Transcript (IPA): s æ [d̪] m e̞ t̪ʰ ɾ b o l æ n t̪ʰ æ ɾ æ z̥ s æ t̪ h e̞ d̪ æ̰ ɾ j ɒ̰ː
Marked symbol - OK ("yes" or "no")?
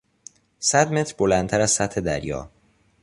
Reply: yes